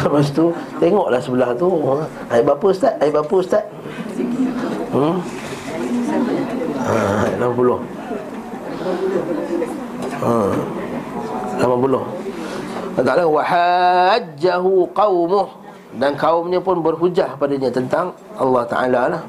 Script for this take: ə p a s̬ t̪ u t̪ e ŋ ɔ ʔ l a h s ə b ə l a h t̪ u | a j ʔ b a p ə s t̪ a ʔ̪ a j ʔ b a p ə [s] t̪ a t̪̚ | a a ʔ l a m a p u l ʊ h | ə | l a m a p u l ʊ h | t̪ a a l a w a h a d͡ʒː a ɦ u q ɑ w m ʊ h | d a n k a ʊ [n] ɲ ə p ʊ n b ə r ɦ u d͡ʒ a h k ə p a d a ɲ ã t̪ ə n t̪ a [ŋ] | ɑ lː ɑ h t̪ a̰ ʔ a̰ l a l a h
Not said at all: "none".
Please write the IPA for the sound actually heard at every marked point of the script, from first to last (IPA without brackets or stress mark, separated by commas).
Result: s, m, ŋ